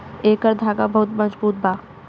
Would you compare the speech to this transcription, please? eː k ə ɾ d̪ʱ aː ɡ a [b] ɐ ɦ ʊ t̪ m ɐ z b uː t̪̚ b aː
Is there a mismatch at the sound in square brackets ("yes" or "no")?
no